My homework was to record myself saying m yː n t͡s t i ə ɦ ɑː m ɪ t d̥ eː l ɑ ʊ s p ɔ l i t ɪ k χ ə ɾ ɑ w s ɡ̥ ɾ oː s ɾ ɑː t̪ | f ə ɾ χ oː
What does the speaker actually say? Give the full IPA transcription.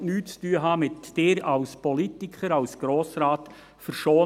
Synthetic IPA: n yː t͡s t y ə ɦ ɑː m ɪ t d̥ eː ɾ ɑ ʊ s p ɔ l i t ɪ k χ ə ɾ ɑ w s ɡ̥ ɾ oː s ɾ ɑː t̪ | f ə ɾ ʃ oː

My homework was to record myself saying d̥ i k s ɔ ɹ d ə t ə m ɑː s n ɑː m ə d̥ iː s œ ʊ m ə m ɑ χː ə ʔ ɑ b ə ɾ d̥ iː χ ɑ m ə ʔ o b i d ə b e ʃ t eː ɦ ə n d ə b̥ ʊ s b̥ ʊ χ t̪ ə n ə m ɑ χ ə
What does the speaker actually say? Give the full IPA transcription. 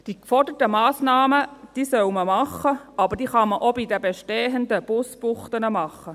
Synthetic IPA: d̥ i k f ɔ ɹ d ə t ə m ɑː s n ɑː m ə d̥ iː s œ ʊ m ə m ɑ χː ə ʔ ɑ b ə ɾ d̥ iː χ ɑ m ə ʔ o b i d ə b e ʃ t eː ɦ ə n d ə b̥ ʊ s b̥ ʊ χ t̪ ə n ə m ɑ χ ə

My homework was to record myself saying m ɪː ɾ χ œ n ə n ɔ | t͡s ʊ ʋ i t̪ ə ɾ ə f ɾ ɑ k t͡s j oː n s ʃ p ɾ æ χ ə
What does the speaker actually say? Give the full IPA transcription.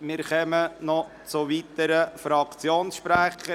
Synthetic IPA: m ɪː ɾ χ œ m ə n ɔ | t͡s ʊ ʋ i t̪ ə ɾ ə f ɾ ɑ k t͡s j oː n s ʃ p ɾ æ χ ə

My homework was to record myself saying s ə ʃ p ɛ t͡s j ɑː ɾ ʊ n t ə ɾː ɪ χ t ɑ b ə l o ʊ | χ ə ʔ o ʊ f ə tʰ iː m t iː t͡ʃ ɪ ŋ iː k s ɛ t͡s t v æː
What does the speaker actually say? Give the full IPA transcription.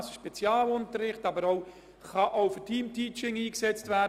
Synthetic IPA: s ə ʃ p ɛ t͡s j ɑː l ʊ n t ə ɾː ɪ χ t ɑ b ə ɾ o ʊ | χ ɑ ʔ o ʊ f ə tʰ iː m t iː t͡ʃ ɪ ŋ iː k s ɛ t͡s t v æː

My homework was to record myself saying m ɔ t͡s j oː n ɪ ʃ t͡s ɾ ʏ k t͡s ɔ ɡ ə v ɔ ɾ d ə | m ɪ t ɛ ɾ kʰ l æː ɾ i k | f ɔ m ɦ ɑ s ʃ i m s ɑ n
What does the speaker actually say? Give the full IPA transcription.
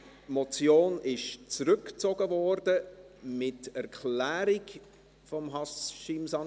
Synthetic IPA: m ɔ t͡s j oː n ɪ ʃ t͡s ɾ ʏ k t͡s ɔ ɡ ə v ɔ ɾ d ə | m ɪ t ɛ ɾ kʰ l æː ɾ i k | f ɔ m ɦ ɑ s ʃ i m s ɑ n

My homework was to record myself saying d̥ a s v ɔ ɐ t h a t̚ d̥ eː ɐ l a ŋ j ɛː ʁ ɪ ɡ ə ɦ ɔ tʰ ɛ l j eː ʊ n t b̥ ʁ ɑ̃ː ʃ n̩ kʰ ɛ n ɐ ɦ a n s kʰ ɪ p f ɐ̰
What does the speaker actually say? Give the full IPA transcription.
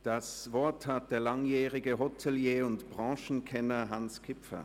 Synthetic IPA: d̥ a s v ɔ ɐ t h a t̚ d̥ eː ɐ l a ŋ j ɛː ʁ ɪ ɡ ə ɦ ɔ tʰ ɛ l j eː ʊ n t b̥ ʁ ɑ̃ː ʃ n̩ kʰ ɛ n ɐ ɦ a n s kʰ ɪ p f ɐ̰

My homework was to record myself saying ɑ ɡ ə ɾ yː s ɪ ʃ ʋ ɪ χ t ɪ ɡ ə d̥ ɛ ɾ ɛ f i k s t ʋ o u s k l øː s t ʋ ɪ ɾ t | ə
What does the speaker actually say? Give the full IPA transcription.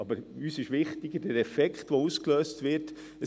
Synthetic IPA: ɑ b ə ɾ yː s ɪ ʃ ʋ ɪ χ t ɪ ɡ ə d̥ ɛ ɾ ɛ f ɛ k χ t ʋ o u s k l øː s t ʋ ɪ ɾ t | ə

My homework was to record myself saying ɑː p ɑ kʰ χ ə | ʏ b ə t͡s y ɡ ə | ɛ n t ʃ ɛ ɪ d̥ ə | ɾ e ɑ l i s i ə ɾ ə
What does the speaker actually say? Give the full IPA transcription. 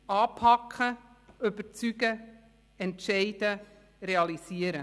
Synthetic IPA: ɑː pʰ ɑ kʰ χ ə | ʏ b ə t͡s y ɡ ə | ɛ n t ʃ ɛ ɪ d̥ ə | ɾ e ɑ l i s i ə ɾ ə

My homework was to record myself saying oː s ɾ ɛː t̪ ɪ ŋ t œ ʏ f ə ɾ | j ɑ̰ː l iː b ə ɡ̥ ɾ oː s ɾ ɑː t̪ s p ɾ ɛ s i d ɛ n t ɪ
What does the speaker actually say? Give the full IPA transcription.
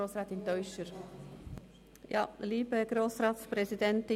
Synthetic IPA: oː s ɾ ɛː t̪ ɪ n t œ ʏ ʃ ə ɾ | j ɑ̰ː l iː b ə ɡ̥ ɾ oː s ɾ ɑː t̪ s p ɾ ɛ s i d ɛ n t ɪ

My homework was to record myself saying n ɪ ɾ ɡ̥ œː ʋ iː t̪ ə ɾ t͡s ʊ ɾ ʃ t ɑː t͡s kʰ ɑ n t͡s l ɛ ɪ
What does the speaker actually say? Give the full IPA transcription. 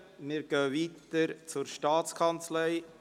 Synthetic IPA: m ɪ ɾ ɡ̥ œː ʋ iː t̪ ə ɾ t͡s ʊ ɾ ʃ t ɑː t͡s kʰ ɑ n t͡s l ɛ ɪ

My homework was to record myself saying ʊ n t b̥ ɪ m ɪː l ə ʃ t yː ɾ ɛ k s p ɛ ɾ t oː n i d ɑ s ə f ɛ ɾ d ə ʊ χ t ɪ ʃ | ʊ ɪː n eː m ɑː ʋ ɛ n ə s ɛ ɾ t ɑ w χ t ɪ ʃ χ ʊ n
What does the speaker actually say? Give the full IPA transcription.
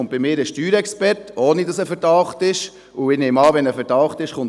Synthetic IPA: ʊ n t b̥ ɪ m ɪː ɾ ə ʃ t yː ɾ ɛ k s p ɛ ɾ t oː n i d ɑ s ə f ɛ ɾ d ɑ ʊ χ t ɪ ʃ | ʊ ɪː n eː m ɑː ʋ ɛ n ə f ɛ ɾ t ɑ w χ t ɪ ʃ χ ʊ n

